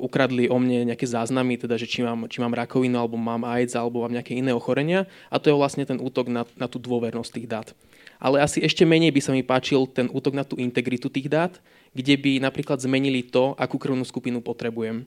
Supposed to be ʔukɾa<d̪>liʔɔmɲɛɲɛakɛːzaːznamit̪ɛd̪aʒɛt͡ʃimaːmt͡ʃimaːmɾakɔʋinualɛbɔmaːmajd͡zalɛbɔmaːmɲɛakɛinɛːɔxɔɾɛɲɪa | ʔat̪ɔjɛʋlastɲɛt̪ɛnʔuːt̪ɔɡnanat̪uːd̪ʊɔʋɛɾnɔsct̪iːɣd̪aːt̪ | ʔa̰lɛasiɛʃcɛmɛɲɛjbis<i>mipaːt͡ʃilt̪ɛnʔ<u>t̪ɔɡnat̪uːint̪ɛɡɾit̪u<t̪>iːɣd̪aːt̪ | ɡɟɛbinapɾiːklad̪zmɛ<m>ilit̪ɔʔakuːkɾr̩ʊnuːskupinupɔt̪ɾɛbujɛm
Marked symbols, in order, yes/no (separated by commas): yes, no, no, yes, no